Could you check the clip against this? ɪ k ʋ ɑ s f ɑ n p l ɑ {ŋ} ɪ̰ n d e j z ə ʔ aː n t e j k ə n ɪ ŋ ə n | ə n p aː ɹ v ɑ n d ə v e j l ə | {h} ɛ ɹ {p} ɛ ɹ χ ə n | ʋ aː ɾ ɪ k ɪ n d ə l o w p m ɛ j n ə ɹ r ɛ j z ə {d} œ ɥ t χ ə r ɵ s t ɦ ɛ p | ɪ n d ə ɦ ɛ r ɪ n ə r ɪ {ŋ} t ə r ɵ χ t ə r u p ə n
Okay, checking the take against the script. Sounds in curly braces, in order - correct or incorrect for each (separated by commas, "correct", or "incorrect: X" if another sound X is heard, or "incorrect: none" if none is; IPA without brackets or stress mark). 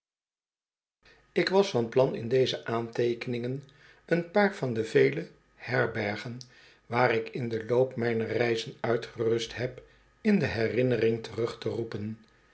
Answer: incorrect: n, correct, incorrect: b, incorrect: n, correct